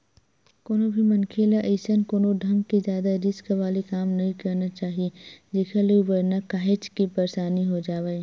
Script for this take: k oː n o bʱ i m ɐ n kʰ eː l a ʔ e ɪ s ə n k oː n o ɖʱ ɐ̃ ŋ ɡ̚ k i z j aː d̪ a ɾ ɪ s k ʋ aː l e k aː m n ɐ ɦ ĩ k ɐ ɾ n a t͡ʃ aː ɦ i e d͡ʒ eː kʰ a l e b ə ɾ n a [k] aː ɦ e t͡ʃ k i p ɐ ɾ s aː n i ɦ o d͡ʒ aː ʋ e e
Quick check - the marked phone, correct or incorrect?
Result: correct